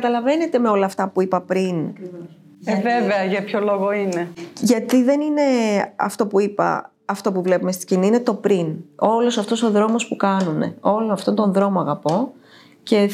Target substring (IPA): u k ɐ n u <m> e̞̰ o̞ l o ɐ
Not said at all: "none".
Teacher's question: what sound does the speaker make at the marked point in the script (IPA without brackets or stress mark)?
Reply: n